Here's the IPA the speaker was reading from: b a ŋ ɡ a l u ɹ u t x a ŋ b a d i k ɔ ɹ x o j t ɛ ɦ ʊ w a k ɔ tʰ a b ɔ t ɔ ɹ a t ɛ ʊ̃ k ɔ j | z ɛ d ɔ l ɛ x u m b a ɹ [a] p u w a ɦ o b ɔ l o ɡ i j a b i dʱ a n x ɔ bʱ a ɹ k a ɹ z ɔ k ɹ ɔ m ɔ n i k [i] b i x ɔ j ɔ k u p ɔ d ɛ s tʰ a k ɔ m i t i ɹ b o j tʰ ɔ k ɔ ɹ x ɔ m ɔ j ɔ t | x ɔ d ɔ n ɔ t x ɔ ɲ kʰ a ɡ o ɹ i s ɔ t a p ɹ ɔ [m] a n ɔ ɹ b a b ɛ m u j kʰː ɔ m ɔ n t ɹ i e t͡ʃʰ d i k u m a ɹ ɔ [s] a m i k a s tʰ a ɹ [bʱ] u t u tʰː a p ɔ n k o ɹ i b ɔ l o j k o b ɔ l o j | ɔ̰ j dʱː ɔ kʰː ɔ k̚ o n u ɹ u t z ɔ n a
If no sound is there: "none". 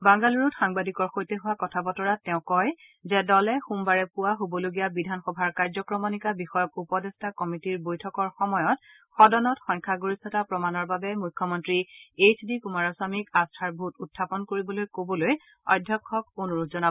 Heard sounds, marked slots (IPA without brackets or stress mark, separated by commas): ɛ, a, m, s, bʱ